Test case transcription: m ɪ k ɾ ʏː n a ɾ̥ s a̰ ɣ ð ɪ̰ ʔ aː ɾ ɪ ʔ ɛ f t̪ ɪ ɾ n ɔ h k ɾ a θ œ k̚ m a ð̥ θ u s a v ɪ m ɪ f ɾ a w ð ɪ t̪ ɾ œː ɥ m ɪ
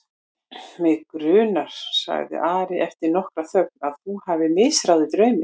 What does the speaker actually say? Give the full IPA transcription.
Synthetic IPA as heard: m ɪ k ɾ ʏː n a ɾ̥ s a̰ ɣ ð ɪ̰ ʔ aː ɾ ɪ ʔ ɛ f t̪ ɪ ɾ n ɔ h k ɾ a θ œ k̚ n a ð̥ θ u h a v ɪ m ɪ s ɾ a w ð ɪ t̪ ɾ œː ɥ m ɪ

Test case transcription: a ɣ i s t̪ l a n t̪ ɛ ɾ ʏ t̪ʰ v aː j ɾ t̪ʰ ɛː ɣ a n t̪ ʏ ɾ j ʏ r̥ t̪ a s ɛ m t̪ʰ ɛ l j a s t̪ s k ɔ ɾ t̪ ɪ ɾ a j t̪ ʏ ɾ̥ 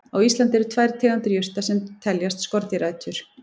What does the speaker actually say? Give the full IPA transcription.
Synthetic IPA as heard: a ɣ i s t̪ l a n t̪ ɛ ɾ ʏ t̪ʰ v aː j ɾ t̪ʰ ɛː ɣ a n t̪ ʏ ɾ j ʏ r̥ t̪ a s ɛ m t̪ʰ ɛ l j a s t̪ s k ɔ ɾ t̪ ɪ ɾ a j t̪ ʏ ɾ̥

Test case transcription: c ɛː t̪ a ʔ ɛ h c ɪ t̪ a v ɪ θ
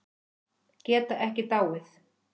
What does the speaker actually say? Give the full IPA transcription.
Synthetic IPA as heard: c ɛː t̪ a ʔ ɛ h c ɪ t̪ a w ɪ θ

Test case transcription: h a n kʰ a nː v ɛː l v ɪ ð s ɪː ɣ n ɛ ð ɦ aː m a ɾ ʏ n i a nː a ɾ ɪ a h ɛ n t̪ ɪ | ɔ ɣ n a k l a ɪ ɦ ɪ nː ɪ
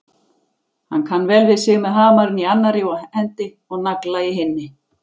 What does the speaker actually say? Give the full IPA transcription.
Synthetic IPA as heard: h a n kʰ a nː v ɛː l v ɪ ð s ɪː ɣ m ɛ ð ɦ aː m a ɾ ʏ n i a nː a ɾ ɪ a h ɛ n t̪ ɪ | ɔ ɣ n a k l a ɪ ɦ ɪ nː ɪ

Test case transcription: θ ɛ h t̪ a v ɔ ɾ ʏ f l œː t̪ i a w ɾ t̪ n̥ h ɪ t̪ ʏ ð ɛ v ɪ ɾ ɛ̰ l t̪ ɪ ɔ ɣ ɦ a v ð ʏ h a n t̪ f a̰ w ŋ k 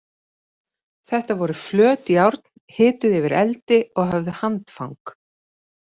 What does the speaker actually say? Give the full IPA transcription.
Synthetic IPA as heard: θ ɛ h t̪ a v ɔ ɾ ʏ f l œː t̪ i a w ɾ t̪ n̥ h ɪː t̪ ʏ ð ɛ v ɪ ɾ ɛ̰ l t̪ ɪ ɔ ɣ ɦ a v ð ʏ h a n t̪ f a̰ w ŋ k

